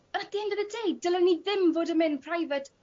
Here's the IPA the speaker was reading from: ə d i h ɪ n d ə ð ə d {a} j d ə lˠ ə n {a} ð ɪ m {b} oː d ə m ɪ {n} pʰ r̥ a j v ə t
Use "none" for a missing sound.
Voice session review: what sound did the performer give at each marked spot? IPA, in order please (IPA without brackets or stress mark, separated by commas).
e, i, v, n